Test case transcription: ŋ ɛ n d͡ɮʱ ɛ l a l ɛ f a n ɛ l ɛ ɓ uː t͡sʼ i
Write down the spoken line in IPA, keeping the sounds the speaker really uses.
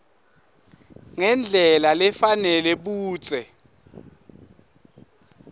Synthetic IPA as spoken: ŋ ɛ n d͡ɮʱ ɛ l a l ɛ f a n ɛ l ɛ ɓ uː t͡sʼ ɛ